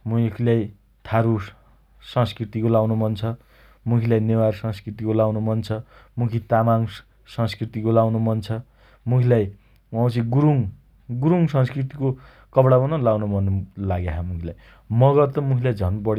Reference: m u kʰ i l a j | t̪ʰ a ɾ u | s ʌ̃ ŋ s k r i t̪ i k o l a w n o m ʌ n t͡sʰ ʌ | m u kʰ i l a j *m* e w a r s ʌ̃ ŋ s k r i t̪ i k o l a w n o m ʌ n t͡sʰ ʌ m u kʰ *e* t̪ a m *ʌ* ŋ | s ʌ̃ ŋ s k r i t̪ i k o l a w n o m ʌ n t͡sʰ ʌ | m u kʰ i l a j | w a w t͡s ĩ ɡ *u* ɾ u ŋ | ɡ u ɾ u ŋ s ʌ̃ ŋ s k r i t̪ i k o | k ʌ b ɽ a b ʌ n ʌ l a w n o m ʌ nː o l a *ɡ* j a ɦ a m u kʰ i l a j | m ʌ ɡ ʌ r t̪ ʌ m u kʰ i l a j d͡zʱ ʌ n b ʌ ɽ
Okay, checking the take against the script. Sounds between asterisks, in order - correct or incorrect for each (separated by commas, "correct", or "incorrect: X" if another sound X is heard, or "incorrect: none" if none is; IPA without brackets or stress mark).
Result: incorrect: n, incorrect: i, incorrect: a, correct, correct